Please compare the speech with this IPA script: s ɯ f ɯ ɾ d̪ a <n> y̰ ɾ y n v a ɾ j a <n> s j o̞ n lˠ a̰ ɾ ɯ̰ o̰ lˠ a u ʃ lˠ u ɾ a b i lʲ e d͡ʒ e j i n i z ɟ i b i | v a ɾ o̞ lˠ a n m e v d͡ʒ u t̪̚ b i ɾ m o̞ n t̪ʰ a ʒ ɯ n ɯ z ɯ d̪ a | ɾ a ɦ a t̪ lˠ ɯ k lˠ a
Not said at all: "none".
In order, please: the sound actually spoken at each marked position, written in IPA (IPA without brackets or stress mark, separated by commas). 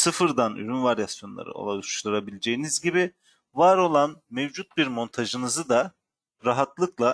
n, none